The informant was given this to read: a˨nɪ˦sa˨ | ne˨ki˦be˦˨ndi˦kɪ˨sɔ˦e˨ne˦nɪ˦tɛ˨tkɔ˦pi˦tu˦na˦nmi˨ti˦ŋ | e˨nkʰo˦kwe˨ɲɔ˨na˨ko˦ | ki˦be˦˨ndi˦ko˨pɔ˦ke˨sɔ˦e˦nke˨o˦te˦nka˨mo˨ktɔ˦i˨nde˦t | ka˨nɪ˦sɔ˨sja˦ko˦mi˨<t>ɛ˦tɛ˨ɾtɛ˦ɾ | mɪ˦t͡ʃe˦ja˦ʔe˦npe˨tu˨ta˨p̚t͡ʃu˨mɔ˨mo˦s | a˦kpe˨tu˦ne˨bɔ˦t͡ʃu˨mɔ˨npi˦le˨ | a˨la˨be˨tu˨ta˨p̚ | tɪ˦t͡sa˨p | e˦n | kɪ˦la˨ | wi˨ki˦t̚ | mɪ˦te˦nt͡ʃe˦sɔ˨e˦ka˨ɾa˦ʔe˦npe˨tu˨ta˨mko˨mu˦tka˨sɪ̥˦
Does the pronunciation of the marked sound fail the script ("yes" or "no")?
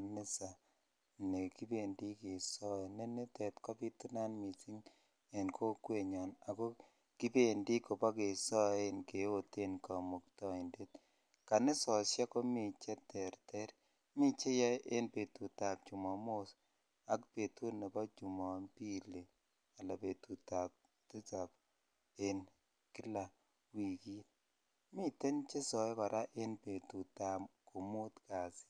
yes